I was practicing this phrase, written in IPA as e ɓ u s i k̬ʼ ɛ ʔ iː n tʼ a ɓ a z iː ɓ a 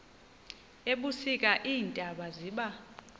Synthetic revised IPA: e ɓ u s i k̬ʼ a ʔ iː n tʼ a ɓ a z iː ɓ a